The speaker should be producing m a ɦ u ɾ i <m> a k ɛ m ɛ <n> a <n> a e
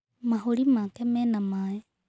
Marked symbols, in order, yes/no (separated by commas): yes, yes, no